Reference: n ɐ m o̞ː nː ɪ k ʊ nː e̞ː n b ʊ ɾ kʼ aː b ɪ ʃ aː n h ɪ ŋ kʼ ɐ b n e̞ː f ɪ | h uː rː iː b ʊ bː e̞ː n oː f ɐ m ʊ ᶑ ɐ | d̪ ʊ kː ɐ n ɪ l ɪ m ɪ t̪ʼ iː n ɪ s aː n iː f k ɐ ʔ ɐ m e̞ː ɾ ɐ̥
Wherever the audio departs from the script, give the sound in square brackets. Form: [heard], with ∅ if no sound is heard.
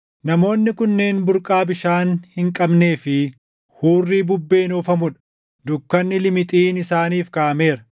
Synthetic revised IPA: n ɐ m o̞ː nː ɪ k ʊ nː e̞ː n b ʊ ɾ kʼ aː b ɪ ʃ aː n h ɪ ŋ kʼ ɐ b n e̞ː f ɪ | h uː rː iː b ʊ bː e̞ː n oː f ɐ m ʊ ᶑ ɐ | d̪ ʊ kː ɐ [nː] ɪ l ɪ m ɪ t̪ʼ iː n ɪ s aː n iː f k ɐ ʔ ɐ m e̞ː ɾ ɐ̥